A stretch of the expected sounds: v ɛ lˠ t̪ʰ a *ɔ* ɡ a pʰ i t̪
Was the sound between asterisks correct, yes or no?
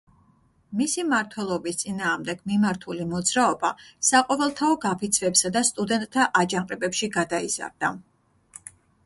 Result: yes